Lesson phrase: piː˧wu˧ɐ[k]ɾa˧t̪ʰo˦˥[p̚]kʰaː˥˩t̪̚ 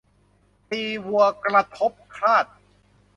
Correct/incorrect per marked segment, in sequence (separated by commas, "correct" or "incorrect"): correct, correct